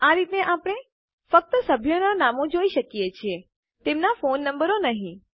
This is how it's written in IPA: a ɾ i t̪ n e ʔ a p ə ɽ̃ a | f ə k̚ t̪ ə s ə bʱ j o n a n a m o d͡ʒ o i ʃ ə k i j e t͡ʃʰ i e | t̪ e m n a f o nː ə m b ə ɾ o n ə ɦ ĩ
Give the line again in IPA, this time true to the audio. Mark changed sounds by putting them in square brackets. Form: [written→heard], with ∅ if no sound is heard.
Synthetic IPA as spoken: a ɾ i t̪ n e ʔ a p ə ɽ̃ [a→e] | f ə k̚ t̪ ə s ə bʱ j o n a n a m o d͡ʒ o i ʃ ə k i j e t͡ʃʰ i e | t̪ e m n a f o nː ə m b ə ɾ o n ə ɦ ĩ